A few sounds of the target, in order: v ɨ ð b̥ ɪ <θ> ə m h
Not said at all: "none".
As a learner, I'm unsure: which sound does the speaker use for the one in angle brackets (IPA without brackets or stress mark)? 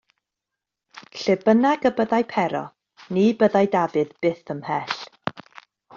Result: θ